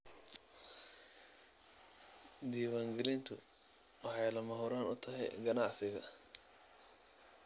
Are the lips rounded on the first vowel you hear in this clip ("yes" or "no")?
no